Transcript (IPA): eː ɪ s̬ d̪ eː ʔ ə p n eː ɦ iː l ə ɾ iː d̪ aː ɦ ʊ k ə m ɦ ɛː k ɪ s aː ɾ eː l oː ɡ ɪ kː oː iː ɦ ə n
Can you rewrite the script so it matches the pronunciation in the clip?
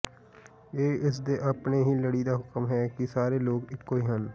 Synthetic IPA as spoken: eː ɪ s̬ d̪ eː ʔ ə p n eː ɦ iː l ə ɽ iː d̪ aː ɦ ʊ k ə m ɦ ɛː k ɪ s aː ɾ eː l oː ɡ ɪ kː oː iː ɦ ə n